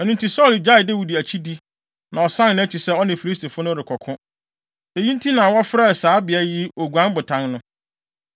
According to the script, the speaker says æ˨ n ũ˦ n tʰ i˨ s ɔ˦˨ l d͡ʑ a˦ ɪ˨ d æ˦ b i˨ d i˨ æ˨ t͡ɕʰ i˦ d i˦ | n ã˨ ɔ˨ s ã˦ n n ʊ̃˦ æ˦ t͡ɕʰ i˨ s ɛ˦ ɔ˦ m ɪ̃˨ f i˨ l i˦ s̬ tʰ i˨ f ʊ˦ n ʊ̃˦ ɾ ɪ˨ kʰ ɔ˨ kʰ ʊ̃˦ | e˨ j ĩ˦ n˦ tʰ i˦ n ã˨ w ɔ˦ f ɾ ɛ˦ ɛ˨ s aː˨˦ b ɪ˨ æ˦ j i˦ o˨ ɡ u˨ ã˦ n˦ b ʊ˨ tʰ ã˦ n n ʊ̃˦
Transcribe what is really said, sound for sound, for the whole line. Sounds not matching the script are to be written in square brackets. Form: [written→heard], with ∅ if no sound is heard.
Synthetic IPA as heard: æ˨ n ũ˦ n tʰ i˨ s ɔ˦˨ l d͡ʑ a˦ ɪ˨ d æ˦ [b→w] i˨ d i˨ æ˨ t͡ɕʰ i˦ d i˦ | n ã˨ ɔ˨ s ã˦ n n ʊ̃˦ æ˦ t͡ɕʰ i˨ s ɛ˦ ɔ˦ [m→n] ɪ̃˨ f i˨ l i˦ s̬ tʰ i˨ f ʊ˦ n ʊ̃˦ ɾ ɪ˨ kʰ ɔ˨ kʰ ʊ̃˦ | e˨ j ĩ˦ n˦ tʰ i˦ n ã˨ w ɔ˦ f ɾ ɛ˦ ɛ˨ s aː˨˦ b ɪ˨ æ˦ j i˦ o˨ ɡ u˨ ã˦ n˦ b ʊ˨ tʰ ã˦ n n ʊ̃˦